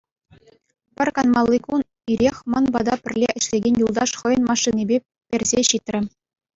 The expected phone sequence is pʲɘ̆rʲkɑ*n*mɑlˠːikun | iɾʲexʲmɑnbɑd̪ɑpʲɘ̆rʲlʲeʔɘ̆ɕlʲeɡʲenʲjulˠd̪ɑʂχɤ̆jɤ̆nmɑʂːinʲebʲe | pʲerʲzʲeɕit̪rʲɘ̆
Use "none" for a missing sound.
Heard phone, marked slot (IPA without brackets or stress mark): n